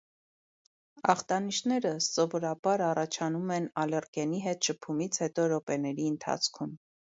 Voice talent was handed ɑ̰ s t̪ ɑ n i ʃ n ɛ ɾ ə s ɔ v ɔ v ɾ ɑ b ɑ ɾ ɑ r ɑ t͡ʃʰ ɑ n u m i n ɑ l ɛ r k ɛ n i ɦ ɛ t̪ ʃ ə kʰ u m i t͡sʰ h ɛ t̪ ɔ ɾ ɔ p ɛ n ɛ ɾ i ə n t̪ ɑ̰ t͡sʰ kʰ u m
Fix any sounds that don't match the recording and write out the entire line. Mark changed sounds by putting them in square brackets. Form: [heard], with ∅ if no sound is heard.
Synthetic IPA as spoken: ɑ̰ [χ] t̪ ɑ n i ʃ n ɛ ɾ ə s ɔ v ɔ [∅] ɾ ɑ b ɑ ɾ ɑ r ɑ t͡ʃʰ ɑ n u m [ɛ] n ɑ l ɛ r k ɛ n i ɦ ɛ t̪ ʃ ə [pʰ] u m i t͡sʰ h ɛ t̪ ɔ ɾ ɔ p ɛ n ɛ ɾ i ə n [t̪ʰ] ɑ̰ t͡sʰ kʰ u m